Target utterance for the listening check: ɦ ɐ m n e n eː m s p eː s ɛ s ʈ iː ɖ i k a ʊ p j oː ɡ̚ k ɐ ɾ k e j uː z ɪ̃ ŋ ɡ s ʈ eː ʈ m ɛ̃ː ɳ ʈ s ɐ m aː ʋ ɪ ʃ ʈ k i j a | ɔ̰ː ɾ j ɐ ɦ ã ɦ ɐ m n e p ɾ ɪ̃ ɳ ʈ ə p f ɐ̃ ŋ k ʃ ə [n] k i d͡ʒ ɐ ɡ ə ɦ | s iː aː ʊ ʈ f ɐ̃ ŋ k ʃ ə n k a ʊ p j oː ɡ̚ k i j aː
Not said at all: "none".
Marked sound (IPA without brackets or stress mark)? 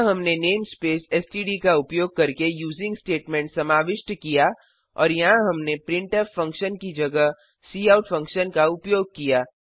n